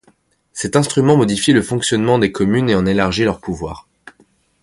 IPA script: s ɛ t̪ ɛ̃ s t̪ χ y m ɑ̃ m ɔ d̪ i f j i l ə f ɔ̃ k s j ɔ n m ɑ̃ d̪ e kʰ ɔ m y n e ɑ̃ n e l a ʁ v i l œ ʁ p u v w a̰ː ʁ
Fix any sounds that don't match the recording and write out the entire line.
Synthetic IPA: s ɛ t̪ ɛ̃ s t̪ χ y m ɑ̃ m ɔ d̪ i f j i l ə f ɔ̃ k s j ɔ n m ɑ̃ d̪ e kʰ ɔ m y n e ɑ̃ n e l a ʁ ʒ i l œ ʁ p u v w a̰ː ʁ